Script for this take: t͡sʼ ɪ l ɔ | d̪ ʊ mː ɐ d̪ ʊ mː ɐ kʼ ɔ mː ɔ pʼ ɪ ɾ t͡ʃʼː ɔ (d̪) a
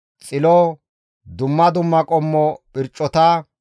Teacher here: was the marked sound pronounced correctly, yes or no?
no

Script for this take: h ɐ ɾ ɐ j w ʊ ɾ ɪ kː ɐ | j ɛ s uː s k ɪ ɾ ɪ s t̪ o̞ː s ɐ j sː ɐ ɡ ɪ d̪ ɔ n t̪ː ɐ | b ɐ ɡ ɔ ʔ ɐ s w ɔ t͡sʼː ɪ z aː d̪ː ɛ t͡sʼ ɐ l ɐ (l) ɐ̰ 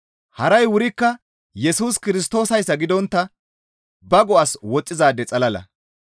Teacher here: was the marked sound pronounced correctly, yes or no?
yes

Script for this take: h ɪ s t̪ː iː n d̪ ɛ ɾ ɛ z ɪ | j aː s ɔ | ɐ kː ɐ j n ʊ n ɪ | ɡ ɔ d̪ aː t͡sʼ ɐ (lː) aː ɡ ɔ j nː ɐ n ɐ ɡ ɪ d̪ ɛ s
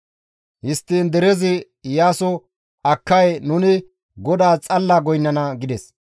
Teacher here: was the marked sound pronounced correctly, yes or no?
yes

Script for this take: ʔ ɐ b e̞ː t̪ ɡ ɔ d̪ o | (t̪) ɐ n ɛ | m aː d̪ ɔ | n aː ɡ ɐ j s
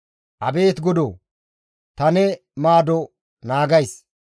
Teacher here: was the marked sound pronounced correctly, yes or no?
yes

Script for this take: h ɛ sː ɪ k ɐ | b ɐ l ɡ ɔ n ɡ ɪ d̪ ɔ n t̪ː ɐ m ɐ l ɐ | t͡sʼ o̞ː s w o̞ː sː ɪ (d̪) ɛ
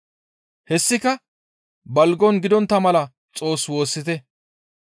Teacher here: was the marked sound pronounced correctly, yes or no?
no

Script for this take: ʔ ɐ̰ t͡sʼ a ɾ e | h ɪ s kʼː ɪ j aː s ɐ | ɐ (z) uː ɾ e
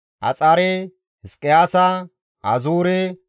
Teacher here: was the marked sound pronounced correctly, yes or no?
yes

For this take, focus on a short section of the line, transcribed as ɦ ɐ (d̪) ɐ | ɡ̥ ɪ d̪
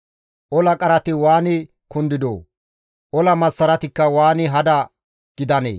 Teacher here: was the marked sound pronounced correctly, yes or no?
yes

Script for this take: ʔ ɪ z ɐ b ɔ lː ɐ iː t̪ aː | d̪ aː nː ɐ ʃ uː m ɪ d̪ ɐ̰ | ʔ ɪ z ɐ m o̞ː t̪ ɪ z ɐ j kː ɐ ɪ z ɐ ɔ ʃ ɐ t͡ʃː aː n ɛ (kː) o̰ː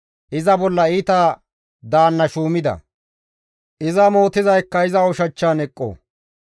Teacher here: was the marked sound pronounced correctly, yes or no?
no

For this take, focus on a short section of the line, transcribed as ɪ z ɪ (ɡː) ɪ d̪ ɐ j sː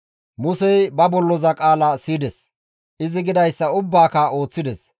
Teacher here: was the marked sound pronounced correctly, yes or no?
no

